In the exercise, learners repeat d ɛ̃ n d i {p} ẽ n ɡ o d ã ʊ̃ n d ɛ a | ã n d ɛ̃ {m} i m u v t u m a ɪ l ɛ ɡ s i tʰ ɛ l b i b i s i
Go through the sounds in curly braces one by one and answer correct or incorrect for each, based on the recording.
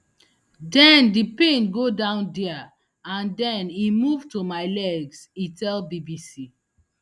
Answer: correct, incorrect

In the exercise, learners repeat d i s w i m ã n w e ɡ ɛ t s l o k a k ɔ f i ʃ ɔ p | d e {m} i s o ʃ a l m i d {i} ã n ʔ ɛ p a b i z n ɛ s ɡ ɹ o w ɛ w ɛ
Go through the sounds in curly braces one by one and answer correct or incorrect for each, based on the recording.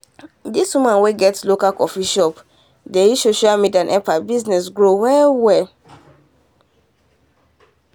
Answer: incorrect, correct

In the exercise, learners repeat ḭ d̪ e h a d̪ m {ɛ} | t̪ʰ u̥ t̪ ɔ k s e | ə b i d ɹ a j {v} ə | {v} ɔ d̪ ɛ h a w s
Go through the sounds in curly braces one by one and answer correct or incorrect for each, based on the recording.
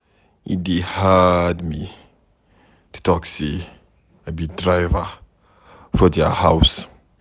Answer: incorrect, correct, incorrect

